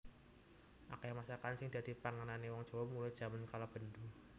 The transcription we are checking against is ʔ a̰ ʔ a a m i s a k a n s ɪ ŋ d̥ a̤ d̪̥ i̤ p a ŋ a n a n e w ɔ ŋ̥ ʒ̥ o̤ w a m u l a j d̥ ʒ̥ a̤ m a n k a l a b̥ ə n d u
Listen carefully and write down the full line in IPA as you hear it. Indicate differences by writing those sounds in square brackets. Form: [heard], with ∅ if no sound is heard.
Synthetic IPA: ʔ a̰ [k] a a m [a] s a k a n s ɪ ŋ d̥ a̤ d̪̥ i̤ p a ŋ a n a n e w ɔ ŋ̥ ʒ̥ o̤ w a m u l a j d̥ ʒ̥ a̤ m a n k a l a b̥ ə n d u